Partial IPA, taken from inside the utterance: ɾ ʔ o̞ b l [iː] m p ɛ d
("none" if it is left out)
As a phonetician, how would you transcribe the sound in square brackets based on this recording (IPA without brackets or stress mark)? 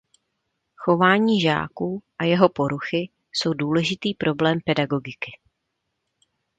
ɛː